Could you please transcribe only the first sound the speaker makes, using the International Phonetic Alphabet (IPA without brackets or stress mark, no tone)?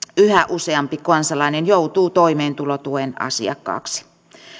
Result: y